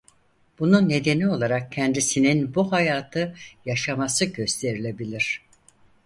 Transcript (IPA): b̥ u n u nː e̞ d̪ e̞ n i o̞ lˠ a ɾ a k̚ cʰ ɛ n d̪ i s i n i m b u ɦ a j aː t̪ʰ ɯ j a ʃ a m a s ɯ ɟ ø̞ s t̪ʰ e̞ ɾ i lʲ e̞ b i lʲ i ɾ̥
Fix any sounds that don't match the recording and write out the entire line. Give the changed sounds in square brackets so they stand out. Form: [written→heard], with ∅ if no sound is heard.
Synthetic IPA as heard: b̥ u n u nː e̞ d̪ e̞ n i o̞ lˠ a ɾ a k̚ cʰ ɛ n d̪ i s i n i [m→n] b u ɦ a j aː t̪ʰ ɯ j a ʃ a m a s ɯ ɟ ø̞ s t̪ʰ e̞ ɾ i lʲ e̞ b i lʲ i ɾ̥

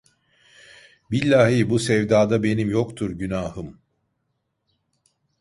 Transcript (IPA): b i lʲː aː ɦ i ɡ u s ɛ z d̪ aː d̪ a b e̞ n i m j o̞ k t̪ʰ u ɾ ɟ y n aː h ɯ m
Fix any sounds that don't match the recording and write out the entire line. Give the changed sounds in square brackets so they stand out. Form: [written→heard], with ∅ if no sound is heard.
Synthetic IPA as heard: b i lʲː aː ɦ i [ɡ→b] u s ɛ [z→v] d̪ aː d̪ a b e̞ n i m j o̞ k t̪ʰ u ɾ ɟ y n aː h ɯ m

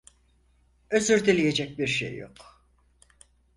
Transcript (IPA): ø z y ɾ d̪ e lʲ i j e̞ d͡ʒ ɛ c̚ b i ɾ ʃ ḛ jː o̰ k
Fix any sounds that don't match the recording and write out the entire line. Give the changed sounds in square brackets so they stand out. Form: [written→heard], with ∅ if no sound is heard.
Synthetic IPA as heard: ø z y ɾ d̪ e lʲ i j e̞ d͡ʒ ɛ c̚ b i ɾ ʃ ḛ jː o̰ k

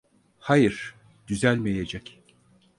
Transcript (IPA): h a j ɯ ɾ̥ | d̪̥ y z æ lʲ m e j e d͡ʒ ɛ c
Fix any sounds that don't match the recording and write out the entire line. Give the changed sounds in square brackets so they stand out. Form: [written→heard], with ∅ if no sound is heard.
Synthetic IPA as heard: h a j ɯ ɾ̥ | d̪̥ y z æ lʲ m e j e d͡ʒ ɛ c

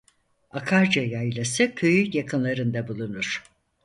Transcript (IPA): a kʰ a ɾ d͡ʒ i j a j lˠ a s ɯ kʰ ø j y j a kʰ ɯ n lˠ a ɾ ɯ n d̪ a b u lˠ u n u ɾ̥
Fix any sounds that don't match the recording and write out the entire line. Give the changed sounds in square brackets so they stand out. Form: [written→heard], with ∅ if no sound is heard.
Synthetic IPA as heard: a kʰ a ɾ d͡ʒ [i→a] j a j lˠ a s ɯ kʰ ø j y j a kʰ ɯ n lˠ a ɾ ɯ n d̪ a b u lˠ u n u ɾ̥

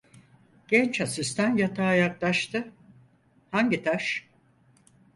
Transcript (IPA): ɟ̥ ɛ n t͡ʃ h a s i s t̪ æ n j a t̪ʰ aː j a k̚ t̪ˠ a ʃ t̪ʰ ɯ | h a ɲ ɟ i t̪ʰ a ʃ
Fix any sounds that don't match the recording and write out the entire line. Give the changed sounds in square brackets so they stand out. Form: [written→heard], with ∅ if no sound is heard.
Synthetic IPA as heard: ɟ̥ ɛ n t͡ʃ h a s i s t̪ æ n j a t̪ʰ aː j a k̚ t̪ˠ a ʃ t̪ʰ ɯ | h a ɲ ɟ i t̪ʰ a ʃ

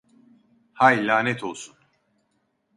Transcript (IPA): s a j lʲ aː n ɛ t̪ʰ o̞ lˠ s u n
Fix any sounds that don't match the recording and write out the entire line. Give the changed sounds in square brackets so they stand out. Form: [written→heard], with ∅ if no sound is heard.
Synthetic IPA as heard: [s→h] a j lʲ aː n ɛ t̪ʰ o̞ lˠ s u n

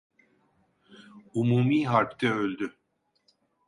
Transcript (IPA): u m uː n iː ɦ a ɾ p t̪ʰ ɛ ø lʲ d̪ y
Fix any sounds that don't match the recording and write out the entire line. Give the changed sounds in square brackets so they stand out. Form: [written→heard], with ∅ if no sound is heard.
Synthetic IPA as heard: u m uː [n→m] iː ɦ a ɾ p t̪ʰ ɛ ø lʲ d̪ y

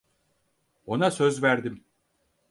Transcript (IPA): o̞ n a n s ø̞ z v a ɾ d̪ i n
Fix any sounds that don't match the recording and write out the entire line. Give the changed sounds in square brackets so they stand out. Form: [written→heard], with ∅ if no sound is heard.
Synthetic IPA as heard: o̞ n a [n→∅] s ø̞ z v [a→æ] ɾ d̪ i [n→m]

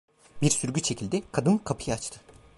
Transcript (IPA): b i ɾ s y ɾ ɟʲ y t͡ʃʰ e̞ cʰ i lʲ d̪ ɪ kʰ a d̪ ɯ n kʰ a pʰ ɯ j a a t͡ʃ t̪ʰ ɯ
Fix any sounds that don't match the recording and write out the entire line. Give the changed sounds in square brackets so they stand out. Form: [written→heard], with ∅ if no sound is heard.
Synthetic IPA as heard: b i ɾ s y ɾ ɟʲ y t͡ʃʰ e̞ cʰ i lʲ d̪ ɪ kʰ a d̪ ɯ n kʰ a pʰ ɯ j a a t͡ʃ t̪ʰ ɯ

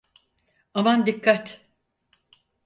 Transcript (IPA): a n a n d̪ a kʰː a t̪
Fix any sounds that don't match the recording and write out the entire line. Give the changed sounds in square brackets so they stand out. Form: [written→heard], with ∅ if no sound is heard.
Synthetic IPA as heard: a [n→m] a n d̪ [a→i] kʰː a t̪

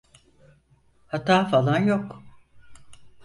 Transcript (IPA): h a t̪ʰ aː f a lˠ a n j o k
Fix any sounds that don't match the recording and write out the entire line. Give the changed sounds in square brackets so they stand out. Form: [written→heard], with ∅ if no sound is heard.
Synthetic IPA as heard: h a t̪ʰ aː f a lˠ a n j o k

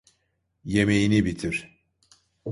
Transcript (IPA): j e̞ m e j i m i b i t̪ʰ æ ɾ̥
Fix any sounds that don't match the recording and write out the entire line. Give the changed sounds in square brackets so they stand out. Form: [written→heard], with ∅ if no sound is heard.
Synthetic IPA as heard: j e̞ m e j i [m→n] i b i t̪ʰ [æ→i] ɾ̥

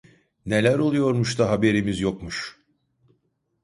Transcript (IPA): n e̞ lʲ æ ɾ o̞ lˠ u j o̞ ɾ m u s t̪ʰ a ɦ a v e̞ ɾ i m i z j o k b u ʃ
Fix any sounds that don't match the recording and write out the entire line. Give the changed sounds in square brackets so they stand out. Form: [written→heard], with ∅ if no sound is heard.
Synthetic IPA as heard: n e̞ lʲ æ ɾ o̞ lˠ u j o̞ ɾ m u [s→ʃ] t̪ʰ a ɦ a [v→b] e̞ ɾ i m i z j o k [b→m] u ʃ

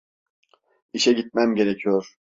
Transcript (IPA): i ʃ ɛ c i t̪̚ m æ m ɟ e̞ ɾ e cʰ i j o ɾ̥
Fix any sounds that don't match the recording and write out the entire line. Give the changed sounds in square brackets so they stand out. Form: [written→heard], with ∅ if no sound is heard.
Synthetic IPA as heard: i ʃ ɛ [c→ɟ] i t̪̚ m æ m ɟ e̞ ɾ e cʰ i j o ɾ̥

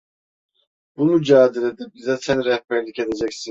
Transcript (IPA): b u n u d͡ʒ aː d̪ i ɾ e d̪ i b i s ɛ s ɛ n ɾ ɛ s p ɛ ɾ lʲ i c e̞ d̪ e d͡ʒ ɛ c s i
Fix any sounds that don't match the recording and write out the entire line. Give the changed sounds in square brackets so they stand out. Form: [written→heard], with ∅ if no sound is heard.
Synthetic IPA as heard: b u n u d͡ʒ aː d̪ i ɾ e d̪ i b i [s→z] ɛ s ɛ n ɾ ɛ [s→h] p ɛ ɾ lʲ i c e̞ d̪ e d͡ʒ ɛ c s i

